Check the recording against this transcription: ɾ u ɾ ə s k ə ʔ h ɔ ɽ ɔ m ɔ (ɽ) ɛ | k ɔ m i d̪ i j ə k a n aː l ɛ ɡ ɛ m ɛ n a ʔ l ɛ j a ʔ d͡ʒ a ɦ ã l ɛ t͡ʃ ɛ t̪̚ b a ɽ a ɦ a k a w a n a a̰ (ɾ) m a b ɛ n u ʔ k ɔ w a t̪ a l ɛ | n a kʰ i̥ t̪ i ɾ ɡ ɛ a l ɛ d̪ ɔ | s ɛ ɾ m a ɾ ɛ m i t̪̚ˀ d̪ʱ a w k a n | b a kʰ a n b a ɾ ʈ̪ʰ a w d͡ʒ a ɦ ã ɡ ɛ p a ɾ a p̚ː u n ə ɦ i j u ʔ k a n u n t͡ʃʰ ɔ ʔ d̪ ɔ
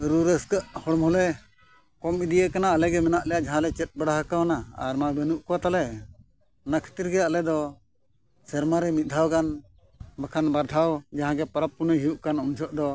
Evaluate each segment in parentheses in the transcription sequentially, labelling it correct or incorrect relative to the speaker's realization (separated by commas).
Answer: incorrect, correct